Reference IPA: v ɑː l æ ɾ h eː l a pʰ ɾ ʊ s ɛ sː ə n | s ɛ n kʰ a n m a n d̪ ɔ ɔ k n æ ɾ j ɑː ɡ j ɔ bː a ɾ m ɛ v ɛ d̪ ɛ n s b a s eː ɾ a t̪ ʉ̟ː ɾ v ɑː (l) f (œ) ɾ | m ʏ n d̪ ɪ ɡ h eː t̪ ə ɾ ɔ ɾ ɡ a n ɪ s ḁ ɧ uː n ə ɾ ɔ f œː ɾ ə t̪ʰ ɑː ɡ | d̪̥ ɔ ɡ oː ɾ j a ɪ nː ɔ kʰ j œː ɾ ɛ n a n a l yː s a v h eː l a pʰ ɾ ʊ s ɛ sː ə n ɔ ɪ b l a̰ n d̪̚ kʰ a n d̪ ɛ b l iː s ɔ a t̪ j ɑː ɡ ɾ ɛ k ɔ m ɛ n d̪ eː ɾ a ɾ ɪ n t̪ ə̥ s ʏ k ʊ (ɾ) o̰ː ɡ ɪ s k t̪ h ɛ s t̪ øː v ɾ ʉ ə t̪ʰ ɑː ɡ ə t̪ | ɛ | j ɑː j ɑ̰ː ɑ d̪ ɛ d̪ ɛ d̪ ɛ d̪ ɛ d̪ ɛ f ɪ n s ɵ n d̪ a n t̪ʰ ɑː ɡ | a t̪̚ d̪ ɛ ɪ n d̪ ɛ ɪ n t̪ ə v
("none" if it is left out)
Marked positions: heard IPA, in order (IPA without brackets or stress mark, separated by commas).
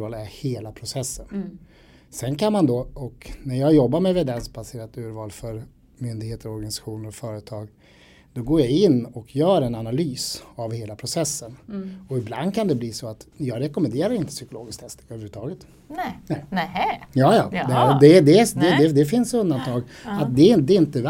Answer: l, œ, l